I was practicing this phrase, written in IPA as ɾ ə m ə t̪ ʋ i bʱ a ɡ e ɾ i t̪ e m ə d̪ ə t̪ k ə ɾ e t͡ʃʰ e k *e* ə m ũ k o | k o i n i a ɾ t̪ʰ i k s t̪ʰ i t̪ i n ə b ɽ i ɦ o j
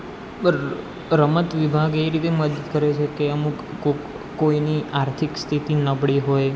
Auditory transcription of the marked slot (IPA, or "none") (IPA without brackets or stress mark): e